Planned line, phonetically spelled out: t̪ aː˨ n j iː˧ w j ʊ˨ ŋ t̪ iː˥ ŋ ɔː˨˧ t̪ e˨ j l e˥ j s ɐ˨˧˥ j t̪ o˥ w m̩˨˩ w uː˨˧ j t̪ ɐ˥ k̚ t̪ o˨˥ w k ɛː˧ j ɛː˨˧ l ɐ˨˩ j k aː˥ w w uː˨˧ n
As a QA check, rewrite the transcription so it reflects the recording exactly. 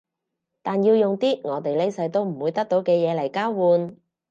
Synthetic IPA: t̪ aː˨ n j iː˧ w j ʊ˨ ŋ t̪ iː˥ ŋ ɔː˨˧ t̪ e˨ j l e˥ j s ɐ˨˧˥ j t̪ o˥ w m̩˨˩ w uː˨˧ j t̪ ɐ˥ k̚ t̪ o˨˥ w k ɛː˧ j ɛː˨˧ l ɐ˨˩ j k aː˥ w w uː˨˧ n

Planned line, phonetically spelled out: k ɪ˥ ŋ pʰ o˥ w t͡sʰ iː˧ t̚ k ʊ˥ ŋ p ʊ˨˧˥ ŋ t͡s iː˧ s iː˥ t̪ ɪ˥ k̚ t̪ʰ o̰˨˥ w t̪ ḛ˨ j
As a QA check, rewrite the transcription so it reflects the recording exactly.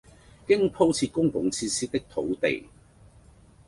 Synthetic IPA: k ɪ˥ ŋ pʰ o˥ w t͡sʰ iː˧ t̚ k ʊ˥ ŋ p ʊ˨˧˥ ŋ t͡sʰ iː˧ s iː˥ t̪ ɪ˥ k̚ t̪ʰ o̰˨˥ w t̪ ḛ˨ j

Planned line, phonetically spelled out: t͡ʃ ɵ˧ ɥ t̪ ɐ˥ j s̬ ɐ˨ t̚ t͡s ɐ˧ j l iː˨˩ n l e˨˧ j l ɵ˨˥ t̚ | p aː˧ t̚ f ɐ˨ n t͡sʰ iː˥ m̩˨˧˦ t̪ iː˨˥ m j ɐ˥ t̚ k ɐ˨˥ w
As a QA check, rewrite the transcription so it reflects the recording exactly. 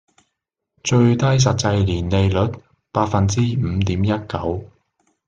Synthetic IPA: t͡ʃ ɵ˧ ɥ t̪ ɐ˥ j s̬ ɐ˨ t̚ t͡s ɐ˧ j l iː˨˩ n l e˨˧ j l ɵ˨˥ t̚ | p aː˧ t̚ f ɐ˨ n t͡s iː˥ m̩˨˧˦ t̪ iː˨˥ m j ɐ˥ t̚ k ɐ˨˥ w

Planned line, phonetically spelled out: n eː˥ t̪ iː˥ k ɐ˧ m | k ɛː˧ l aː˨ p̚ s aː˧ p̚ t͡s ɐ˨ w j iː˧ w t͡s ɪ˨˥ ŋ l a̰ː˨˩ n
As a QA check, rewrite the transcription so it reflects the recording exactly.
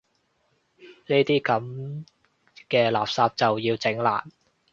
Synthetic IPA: n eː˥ t̪ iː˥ k ɐ˨˥ m | k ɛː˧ l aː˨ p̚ s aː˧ p̚ t͡s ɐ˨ w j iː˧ w t͡s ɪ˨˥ ŋ l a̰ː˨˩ n

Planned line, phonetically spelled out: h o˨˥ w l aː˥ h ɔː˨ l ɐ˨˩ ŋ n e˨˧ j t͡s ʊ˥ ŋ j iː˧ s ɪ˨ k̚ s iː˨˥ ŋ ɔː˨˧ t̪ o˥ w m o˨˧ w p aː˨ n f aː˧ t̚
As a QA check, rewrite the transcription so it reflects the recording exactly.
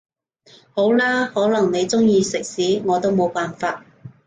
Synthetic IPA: h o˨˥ w l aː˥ h ɔː˨˥ l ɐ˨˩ ŋ n e˨˧ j t͡s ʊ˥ ŋ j iː˧ s ɪ˨ k̚ s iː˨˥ ŋ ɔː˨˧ t̪ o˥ w m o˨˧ w p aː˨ n f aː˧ t̚

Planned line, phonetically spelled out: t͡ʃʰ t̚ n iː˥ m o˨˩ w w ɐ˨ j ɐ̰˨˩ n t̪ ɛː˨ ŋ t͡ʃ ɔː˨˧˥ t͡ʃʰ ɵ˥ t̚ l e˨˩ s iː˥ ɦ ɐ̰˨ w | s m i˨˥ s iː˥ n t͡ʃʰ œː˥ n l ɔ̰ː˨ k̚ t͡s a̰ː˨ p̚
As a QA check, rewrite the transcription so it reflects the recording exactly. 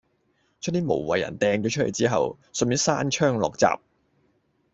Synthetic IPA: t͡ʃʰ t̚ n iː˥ m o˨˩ w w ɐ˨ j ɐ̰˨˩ n t̪ ɛː˨ ŋ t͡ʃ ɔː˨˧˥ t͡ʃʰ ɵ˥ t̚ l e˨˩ t͡s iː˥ ɦ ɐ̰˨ w | s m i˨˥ s aː˥ n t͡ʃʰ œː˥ ŋ l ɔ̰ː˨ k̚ t͡s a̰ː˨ p̚

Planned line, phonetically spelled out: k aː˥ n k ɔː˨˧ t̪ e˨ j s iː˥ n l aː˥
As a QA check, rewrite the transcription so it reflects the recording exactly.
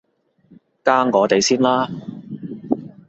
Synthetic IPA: k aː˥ ŋ k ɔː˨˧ t̪ e˨ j s iː˥ n l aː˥

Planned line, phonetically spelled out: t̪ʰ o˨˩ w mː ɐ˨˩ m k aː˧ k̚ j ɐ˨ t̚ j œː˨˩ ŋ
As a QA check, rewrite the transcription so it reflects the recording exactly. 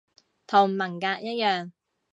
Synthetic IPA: t̪ʰ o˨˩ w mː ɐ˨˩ ŋ k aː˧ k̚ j ɐ˥ t̚ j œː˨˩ ŋ

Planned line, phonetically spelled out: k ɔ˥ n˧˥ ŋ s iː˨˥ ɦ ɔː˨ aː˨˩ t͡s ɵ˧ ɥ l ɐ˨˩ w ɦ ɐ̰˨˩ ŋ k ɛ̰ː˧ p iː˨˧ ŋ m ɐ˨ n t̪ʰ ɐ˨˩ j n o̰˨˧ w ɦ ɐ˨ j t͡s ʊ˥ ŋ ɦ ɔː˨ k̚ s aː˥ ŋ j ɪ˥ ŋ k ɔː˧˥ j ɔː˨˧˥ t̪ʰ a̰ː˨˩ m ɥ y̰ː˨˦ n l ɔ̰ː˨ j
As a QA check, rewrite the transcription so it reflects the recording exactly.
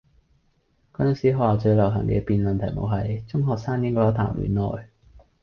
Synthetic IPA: k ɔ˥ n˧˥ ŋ s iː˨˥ ɦ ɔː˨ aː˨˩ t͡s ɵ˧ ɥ l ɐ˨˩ w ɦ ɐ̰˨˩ ŋ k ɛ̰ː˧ p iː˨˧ n m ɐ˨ n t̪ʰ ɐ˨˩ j m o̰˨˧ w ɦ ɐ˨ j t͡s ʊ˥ ŋ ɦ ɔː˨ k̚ s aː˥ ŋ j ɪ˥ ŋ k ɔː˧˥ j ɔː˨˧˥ t̪ʰ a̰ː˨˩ m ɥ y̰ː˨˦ n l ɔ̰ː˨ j

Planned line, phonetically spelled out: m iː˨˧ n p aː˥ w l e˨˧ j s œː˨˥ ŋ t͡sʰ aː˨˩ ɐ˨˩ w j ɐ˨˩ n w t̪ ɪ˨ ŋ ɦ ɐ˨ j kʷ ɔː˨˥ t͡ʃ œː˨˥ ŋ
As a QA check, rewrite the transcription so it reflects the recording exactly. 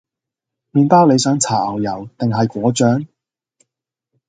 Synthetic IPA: m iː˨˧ n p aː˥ w l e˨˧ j s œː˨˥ ŋ t͡sʰ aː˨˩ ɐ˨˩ w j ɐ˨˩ w t̪ ɪ˨ ŋ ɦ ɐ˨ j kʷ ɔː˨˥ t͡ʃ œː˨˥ ŋ

